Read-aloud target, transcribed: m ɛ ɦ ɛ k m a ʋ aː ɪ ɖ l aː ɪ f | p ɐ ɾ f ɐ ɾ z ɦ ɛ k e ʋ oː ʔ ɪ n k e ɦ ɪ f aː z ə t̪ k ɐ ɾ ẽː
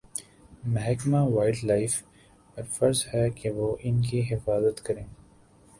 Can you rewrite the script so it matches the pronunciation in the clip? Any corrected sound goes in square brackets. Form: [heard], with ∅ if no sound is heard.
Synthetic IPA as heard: m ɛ ɦ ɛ k m a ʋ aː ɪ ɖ l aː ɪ f | p ɐ ɾ f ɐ ɾ z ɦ ɛ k e ʋ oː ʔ ɪ n k [i] ɦ ɪ f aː z ə t̪ k ɐ ɾ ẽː

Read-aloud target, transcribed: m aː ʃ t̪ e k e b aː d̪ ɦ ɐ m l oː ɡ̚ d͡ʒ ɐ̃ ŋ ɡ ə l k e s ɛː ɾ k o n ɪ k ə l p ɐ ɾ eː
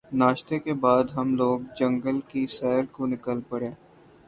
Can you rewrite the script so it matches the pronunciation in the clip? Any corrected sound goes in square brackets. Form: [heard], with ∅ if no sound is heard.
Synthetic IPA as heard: [n] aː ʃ t̪ e k e b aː d̪ ɦ ɐ m l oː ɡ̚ d͡ʒ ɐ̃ ŋ ɡ ə l k [i] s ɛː ɾ k o n ɪ k ə l p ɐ [ɽ] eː

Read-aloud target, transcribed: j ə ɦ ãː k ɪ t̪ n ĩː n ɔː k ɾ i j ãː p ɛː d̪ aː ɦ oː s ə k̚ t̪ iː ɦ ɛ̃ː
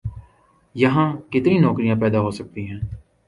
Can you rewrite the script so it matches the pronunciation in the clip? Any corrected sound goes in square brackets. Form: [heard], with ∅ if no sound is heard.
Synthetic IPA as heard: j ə ɦ ãː k ɪ t̪ n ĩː n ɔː k ɾ i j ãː p ɛː d̪ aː ɦ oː s ə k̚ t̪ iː ɦ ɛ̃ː

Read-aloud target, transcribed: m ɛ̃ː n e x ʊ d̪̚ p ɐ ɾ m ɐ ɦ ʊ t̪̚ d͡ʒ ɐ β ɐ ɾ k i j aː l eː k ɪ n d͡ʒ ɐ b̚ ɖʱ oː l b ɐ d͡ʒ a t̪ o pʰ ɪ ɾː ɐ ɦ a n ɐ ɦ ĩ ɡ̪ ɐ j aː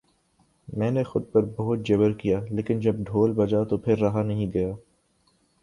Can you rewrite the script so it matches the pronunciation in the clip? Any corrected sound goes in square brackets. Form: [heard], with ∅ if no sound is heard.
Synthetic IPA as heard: m ɛ̃ː n e x ʊ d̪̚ p ɐ ɾ [b] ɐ ɦ ʊ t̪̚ d͡ʒ ɐ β [ə] ɾ k i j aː l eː k ɪ n d͡ʒ ɐ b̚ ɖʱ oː l b ɐ d͡ʒ a t̪ o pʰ ɪ ɾː ɐ ɦ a n ɐ ɦ ĩ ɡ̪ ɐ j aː

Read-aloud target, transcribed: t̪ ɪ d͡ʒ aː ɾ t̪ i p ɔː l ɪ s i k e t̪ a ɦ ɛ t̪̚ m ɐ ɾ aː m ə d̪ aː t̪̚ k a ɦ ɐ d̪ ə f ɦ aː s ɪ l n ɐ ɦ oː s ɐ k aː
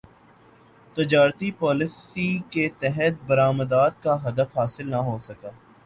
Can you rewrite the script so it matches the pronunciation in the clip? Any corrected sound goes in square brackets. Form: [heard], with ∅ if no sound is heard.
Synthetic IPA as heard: t̪ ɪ d͡ʒ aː ɾ t̪ i p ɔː l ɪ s i k e t̪ [ɛ] ɦ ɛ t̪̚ [b] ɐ ɾ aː m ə d̪ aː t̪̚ k a ɦ ɐ d̪ ə f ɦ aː s ɪ l n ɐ ɦ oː s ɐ k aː

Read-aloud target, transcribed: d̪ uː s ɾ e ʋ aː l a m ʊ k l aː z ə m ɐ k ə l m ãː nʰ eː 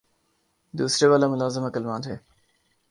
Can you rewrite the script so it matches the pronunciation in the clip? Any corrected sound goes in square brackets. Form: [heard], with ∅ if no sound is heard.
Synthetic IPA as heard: d̪ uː s ɾ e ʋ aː l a m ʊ [∅] l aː z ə m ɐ k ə l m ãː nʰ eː

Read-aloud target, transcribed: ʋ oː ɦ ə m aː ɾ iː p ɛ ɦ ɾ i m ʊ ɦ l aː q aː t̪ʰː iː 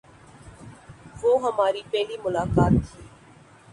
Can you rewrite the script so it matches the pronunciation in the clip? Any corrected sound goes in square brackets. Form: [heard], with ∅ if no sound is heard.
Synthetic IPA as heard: ʋ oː ɦ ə m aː ɾ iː p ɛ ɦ [l] i m ʊ [∅] l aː [k] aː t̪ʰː iː

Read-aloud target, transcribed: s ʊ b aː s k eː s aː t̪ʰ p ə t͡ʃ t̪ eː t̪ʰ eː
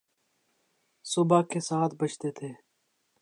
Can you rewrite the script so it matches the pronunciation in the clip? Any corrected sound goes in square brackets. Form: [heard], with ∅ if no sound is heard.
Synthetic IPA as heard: s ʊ b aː [∅] k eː s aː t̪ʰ [b] ə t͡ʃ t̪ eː t̪ʰ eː

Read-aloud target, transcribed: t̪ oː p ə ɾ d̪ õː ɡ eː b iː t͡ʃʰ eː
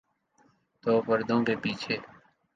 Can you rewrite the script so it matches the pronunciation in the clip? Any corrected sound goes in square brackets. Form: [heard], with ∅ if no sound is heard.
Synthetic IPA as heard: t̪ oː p ə ɾ d̪ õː [k] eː [p] iː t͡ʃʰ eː

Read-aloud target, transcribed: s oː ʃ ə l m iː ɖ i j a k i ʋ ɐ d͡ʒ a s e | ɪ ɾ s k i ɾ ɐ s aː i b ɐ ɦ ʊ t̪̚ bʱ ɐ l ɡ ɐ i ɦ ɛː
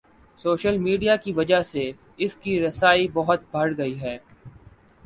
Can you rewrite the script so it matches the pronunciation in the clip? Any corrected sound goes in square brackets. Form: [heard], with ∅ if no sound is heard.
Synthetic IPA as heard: s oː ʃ ə l m iː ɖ i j a k i ʋ ɐ d͡ʒ a s e | ɪ [∅] s k i ɾ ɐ s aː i b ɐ ɦ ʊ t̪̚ bʱ ɐ [ɽ] ɡ ɐ i ɦ ɛː

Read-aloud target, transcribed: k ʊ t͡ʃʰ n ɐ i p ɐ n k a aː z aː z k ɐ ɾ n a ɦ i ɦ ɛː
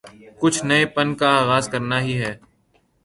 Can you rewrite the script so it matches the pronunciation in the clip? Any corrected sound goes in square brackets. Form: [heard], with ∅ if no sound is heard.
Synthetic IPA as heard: k ʊ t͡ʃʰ n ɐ [e] p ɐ n k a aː [ɣ] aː z k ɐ ɾ n a ɦ i ɦ ɛː

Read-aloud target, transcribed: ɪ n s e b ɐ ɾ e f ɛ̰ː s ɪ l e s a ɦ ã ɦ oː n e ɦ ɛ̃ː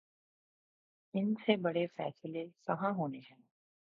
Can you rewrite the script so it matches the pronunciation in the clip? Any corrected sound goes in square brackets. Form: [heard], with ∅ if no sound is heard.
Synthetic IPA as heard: ɪ n s e b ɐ [ɽ] e f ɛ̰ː s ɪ l e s [ɐ] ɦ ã ɦ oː n e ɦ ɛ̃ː

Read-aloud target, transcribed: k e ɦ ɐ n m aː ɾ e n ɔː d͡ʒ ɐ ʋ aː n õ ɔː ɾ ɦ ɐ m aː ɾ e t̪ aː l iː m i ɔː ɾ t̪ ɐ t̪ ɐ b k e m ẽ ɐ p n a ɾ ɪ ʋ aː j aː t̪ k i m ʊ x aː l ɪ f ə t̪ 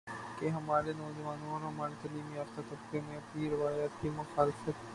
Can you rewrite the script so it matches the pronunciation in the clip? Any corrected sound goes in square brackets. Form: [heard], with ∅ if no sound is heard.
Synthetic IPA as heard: k e ɦ ɐ [∅] m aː ɾ e n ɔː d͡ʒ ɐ ʋ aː n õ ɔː ɾ ɦ ɐ m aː ɾ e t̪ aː l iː m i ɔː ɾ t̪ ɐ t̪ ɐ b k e m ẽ ɐ p n [i] ɾ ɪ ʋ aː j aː t̪ k i m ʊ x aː l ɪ f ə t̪

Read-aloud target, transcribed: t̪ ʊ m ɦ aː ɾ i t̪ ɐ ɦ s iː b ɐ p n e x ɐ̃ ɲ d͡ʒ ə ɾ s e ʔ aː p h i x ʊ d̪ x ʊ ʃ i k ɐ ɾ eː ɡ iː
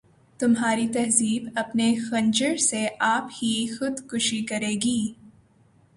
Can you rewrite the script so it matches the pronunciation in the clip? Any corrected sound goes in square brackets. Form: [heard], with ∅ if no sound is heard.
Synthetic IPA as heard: t̪ ʊ m ɦ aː ɾ i t̪ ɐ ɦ [z] iː b ɐ p n e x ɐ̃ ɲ d͡ʒ ə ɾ s e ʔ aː p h i x ʊ d̪ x ʊ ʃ i k ɐ ɾ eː ɡ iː

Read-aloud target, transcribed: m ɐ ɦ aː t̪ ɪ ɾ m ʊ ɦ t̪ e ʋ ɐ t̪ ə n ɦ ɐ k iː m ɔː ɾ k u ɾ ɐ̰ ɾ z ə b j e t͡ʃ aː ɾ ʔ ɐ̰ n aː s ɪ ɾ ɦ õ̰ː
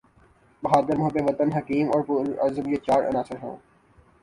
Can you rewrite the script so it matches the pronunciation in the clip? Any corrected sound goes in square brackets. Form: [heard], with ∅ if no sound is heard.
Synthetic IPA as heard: [b] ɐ ɦ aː [d̪] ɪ ɾ m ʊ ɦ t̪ e ʋ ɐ t̪ ə n ɦ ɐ k iː m ɔː ɾ [p] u ɾ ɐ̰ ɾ z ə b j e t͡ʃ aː ɾ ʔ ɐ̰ n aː s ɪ ɾ ɦ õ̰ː

